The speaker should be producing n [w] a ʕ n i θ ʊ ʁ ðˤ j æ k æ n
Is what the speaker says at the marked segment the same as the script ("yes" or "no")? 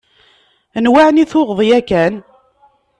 yes